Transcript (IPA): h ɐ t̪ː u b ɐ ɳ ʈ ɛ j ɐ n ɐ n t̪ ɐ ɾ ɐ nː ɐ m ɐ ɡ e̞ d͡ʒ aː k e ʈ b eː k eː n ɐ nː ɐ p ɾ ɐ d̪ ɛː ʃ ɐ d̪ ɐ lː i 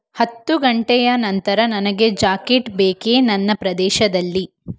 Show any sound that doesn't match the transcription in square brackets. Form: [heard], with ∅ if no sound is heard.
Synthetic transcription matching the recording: h ɐ t̪ː u [ɡ] ɐ ɳ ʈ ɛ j ɐ n ɐ n t̪ ɐ ɾ ɐ [n] ɐ [n] ɐ ɡ e̞ d͡ʒ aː k e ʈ b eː k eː n ɐ nː ɐ p ɾ ɐ d̪ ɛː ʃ ɐ d̪ ɐ lː i